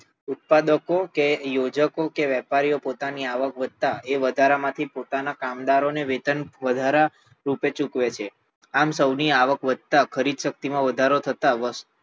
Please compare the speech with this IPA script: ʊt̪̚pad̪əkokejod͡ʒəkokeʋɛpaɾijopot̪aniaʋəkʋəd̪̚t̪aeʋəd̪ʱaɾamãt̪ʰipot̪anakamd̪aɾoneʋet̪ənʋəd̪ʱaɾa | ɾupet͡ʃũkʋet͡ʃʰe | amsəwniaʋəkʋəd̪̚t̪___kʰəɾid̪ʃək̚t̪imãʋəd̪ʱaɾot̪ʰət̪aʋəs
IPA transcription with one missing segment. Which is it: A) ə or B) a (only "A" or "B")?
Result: B